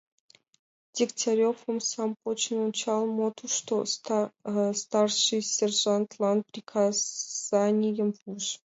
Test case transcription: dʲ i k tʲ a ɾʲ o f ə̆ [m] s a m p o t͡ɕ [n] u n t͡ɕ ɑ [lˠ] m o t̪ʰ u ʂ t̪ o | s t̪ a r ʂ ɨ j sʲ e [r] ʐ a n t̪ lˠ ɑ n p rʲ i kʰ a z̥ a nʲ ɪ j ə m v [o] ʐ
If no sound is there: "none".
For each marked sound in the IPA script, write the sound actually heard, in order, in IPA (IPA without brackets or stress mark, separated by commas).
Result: m, n, lˠ, r, u